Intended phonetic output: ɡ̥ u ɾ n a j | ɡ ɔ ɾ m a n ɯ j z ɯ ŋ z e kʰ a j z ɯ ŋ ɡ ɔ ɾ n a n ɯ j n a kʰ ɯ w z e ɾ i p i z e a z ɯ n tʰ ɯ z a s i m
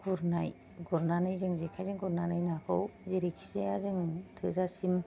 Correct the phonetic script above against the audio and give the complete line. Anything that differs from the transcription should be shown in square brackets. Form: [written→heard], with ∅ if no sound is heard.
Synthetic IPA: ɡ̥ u ɾ n a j | ɡ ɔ ɾ [m→n] a n ɯ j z ɯ ŋ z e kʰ a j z ɯ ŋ ɡ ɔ ɾ n a n ɯ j n a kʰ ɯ w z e ɾ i [p→k] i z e a z ɯ [n→ŋ] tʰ ɯ z a s i m